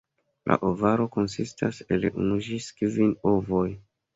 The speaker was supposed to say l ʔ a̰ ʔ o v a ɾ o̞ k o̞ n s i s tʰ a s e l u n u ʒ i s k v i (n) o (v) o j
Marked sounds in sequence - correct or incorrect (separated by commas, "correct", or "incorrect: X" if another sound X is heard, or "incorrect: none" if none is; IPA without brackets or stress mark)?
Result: correct, correct